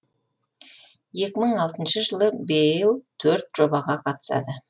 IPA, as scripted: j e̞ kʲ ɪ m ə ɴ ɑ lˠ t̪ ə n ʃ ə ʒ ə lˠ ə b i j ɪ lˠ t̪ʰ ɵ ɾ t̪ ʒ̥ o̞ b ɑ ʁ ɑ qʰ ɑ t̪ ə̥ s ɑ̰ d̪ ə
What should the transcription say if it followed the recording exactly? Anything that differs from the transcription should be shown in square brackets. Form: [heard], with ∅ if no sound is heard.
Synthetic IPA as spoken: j e̞ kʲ ɪ m ə ɴ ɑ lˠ t̪ ə n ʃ ə ʒ ə lˠ ə b [e] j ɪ lˠ t̪ʰ ɵ ɾ t̪ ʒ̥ o̞ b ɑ ʁ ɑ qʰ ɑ t̪ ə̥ s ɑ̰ d̪ ə

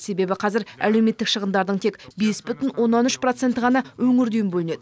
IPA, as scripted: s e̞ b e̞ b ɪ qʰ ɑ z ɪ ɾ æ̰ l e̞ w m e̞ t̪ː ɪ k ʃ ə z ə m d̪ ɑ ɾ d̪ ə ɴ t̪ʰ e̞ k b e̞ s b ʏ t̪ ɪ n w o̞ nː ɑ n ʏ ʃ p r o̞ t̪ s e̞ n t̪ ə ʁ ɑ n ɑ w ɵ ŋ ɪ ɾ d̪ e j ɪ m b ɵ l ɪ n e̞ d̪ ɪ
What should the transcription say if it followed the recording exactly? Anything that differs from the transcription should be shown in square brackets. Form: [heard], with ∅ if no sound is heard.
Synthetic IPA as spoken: s e̞ b e̞ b ɪ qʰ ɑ z ɪ ɾ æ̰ l e̞ w m e̞ t̪ː ɪ k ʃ ə [ʁ] ə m d̪ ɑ ɾ d̪ ə ɴ t̪ʰ e̞ k b e̞ s b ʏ t̪ ɪ n w o̞ nː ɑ n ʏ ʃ p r o̞ t̪ s e̞ n t̪ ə ʁ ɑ n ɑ w ɵ ŋ ɪ ɾ d̪ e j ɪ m b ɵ l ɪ n e̞ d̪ ɪ

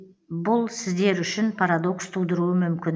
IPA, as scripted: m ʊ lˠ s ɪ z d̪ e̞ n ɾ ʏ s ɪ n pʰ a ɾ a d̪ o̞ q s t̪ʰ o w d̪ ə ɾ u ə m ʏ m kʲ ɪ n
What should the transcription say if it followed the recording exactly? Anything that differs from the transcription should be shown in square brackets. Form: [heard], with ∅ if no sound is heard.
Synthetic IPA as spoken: [b] ʊ lˠ s ɪ z d̪ e̞ [∅] ɾ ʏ [ʃ] ɪ n pʰ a ɾ a d̪ o̞ [k] s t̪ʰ [u] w d̪ ə ɾ u ə m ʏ m kʲ ɪ n

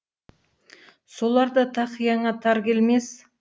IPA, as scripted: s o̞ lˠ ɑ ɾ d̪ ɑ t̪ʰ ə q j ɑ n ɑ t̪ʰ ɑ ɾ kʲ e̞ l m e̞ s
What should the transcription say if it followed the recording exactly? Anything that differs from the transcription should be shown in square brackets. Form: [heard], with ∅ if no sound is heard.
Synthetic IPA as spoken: s o̞ lˠ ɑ ɾ d̪ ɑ t̪ʰ [ɑ] q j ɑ [ɴ] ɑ t̪ʰ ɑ ɾ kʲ e̞ l m e̞ s

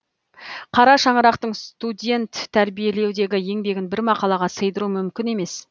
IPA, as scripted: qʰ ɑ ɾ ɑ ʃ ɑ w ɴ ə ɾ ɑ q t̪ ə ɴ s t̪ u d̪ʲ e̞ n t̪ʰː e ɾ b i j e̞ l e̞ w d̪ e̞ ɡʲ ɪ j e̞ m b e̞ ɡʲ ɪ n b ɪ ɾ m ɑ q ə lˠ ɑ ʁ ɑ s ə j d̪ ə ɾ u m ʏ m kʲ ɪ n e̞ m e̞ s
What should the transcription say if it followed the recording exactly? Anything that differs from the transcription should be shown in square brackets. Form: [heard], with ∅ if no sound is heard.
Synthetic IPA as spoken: qʰ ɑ ɾ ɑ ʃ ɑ [∅] ɴ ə ɾ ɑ q t̪ ə ɴ s t̪ u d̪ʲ e̞ n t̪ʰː [æ] ɾ b i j e̞ l e̞ w d̪ e̞ ɡʲ ɪ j e̞ [ŋ] b e̞ ɡʲ ɪ n b ɪ ɾ m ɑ q [ɑ] lˠ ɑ ʁ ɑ s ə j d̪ ə ɾ u m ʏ m kʲ ɪ n e̞ m e̞ s

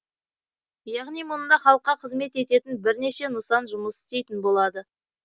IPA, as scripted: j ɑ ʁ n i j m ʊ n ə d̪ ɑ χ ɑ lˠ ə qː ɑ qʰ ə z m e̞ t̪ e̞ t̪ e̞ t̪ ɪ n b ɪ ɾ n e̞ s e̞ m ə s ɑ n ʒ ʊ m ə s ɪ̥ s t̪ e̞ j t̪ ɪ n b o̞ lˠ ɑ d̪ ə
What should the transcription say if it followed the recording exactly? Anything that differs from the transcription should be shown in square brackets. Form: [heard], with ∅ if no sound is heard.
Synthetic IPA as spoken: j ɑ ʁ n i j m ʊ n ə d̪ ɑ χ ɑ lˠ ə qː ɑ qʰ ə z m e̞ t̪ e̞ t̪ e̞ t̪ ɪ n b ɪ ɾ n e̞ [ʃ] e̞ [n] ə s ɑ n ʒ ʊ m ə s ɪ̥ s t̪ e̞ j t̪ ɪ n b o̞ lˠ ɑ d̪ ə

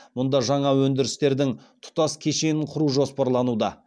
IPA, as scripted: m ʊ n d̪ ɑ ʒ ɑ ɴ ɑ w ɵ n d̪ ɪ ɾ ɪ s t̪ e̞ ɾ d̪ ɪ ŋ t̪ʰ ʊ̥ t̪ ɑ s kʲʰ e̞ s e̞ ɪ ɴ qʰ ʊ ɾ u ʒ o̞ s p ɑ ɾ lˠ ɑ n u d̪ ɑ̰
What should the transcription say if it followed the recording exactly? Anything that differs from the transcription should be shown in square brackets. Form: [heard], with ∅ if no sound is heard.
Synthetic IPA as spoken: m ʊ n d̪ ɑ ʒ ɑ ɴ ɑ w ɵ n d̪ ɪ ɾ ɪ s t̪ e̞ ɾ d̪ ɪ ŋ t̪ʰ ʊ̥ t̪ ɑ s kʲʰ e̞ [ʃ] e̞ ɪ ɴ qʰ ʊ ɾ u ʒ o̞ s p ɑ ɾ lˠ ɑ n u d̪ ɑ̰

